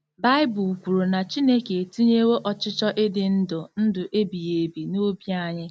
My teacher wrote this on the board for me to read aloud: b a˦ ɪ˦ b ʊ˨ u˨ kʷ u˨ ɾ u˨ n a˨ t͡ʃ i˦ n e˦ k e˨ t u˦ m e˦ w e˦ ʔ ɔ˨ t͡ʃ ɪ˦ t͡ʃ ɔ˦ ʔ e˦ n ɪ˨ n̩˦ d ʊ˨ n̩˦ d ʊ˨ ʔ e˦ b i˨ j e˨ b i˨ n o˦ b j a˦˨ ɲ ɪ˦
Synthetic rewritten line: b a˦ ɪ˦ b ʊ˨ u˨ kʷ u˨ ɾ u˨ n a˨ t͡ʃ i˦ n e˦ k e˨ t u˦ ɲ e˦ w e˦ ʔ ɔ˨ t͡ʃ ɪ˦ t͡ʃ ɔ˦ ʔ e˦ d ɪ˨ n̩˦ d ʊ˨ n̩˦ d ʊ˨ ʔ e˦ b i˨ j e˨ b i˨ n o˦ b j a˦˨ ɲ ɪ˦